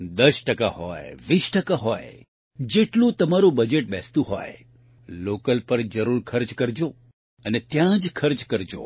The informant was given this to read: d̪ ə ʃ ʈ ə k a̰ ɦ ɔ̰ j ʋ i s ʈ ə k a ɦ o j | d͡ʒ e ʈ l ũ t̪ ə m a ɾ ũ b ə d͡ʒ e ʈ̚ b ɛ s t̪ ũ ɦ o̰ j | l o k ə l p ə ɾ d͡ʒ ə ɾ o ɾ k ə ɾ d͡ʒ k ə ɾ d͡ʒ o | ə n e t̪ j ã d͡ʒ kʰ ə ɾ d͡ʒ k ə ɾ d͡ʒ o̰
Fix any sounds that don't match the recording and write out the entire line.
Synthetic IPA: d̪ ə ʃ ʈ ə k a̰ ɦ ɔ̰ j ʋ i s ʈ ə k a ɦ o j | d͡ʒ e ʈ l ũ t̪ ə m a ɾ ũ b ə d͡ʒ e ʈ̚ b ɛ s t̪ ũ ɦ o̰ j | l o k ə l p ə ɾ d͡ʒ ə ɾ u ɾ kʰ ə ɾ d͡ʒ k ə ɾ d͡ʒ o | ə n e t̪ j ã d͡ʒ kʰ ə ɾ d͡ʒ k ə ɾ d͡ʒ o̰